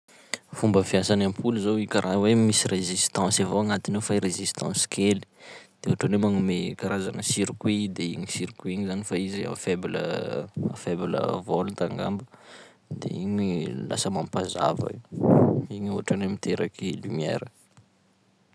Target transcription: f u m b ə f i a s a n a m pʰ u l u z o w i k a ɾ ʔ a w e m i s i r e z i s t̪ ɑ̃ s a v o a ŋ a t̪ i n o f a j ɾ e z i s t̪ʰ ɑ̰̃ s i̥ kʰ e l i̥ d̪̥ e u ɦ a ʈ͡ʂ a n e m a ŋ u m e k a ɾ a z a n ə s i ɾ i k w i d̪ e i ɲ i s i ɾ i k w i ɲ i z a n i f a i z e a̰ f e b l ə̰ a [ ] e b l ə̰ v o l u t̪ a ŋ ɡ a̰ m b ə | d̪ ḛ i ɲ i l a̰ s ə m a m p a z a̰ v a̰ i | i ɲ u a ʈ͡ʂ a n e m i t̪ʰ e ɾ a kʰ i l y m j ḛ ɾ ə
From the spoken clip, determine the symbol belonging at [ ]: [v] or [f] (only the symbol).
f